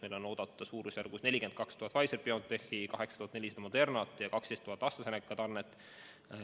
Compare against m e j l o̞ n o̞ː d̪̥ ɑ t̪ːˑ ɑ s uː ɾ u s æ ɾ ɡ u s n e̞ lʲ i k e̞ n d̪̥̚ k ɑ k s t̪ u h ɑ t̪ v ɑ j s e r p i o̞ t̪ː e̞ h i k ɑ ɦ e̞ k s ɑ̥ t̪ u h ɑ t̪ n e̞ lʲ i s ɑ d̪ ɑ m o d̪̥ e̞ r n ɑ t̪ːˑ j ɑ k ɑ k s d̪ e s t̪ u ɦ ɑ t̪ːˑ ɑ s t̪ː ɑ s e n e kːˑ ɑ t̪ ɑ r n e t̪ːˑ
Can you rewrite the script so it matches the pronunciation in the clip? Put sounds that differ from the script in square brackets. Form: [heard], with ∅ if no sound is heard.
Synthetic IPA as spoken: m e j l o̞ n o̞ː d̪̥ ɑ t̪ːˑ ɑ s uː ɾ u s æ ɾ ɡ u s n e̞ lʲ i k e̞ n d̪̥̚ k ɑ k s t̪ u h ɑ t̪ v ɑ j s e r p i o̞ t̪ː e̞ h i k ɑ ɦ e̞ k s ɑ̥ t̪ u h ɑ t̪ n e̞ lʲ i s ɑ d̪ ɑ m o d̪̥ e̞ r n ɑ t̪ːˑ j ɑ k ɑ k s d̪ e s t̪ u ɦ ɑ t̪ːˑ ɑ s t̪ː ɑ s e n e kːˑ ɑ t̪ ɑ r n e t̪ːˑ